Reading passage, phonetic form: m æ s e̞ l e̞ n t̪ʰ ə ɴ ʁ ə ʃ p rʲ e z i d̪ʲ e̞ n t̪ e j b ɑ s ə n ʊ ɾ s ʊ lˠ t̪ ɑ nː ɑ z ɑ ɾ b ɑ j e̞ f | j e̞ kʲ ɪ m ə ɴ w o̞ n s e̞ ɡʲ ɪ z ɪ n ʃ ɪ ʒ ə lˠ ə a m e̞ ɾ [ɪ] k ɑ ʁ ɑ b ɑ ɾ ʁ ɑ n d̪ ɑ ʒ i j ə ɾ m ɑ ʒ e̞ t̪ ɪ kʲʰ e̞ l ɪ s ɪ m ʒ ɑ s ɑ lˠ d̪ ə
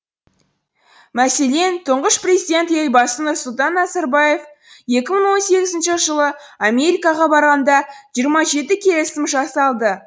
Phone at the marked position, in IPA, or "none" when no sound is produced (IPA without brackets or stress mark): i